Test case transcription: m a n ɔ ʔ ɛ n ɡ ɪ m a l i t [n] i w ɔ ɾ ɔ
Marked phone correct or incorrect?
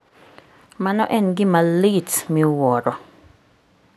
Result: incorrect